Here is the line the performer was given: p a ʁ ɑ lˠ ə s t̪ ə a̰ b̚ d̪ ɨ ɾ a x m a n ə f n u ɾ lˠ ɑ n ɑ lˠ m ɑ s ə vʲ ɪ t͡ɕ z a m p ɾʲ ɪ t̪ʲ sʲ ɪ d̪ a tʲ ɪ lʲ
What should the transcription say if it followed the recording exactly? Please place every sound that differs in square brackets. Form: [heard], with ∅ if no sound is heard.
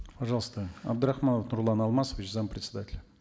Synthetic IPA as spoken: p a [ʐ] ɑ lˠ ə s t̪ ə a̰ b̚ d̪ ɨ ɾ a x m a n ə f n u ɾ lˠ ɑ n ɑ lˠ m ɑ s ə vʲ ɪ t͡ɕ z a m p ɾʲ ɪ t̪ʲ sʲ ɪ d̪ a tʲ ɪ lʲ